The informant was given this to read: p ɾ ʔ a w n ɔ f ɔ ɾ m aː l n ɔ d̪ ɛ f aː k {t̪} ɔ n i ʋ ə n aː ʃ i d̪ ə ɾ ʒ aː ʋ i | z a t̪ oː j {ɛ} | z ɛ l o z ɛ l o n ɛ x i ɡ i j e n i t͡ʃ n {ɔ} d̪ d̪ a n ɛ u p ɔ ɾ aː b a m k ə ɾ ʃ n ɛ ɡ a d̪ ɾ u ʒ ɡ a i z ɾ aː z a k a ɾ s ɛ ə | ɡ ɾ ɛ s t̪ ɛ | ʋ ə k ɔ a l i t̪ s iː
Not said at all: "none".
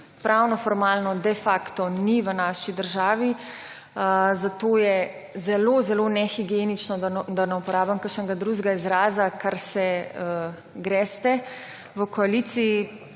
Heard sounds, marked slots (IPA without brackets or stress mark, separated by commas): t̪, ɛ, ɔ